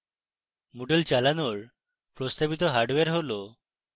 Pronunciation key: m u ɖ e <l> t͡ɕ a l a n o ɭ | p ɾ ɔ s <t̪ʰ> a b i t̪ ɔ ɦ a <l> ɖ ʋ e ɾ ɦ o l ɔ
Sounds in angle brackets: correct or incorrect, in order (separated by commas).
correct, incorrect, incorrect